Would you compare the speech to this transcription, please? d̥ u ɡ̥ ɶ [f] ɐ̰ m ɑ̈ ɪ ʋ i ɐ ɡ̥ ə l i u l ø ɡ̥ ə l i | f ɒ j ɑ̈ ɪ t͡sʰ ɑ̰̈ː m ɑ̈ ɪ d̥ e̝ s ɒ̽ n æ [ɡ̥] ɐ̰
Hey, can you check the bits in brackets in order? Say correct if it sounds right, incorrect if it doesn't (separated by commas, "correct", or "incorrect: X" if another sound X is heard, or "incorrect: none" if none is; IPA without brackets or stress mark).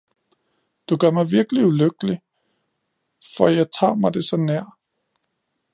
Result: incorrect: none, incorrect: none